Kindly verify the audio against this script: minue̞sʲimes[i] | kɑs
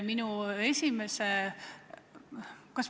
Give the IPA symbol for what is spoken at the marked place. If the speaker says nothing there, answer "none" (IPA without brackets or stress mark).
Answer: e